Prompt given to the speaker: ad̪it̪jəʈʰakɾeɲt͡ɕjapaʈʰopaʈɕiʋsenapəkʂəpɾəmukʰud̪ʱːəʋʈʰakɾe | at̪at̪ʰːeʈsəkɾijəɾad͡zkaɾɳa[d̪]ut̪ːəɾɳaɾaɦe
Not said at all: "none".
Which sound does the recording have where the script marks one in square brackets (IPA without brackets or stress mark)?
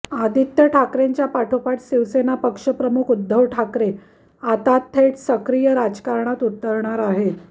t̪